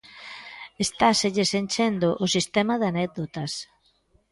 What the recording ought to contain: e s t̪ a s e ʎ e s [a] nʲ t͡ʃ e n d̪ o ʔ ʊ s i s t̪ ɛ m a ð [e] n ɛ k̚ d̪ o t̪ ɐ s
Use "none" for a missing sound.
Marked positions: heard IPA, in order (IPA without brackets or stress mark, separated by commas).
e, a